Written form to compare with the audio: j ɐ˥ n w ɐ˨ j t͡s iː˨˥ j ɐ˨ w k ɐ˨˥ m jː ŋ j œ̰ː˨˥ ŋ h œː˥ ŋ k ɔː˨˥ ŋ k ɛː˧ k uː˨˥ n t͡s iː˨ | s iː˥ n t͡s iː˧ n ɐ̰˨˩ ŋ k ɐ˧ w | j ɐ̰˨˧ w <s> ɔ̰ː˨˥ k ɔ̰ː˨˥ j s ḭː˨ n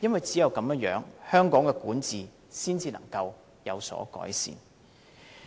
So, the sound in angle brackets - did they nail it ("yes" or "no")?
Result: yes